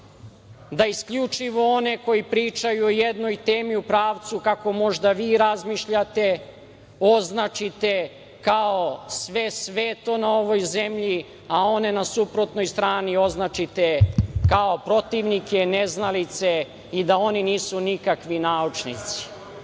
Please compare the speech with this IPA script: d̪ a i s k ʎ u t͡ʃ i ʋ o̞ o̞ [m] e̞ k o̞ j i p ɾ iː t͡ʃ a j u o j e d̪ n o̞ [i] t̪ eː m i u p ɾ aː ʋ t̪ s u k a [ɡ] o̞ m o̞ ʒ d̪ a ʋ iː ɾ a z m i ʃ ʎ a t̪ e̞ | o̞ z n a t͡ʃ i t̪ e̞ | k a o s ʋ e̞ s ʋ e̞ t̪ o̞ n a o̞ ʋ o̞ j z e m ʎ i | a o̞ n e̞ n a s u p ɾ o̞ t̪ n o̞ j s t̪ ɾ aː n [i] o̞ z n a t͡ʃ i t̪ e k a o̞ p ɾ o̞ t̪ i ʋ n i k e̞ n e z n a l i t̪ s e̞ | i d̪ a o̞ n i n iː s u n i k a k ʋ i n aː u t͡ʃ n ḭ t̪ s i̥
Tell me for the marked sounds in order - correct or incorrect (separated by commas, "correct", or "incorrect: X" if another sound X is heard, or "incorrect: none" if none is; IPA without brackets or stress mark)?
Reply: incorrect: n, incorrect: j, incorrect: k, correct